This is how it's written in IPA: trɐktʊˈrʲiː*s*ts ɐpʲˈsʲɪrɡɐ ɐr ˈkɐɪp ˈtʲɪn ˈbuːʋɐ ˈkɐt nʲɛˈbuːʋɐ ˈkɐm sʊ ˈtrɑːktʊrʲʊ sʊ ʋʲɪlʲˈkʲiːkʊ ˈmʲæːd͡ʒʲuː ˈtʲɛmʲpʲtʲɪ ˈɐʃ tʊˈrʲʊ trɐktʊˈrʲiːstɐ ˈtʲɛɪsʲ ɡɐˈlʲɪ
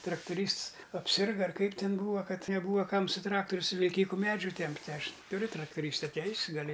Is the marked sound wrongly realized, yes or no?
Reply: no